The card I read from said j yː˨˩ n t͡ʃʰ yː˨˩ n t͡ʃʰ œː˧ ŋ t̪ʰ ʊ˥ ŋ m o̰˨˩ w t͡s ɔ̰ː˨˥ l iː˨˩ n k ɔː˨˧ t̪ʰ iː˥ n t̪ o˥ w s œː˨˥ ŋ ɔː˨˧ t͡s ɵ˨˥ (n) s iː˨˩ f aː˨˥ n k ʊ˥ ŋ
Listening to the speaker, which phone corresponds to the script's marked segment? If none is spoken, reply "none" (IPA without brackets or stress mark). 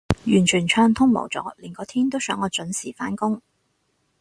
n